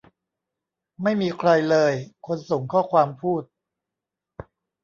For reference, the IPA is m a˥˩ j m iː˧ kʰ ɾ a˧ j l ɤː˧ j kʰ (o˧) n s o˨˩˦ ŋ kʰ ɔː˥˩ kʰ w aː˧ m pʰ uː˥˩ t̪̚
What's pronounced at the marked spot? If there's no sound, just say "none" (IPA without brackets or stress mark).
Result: o˧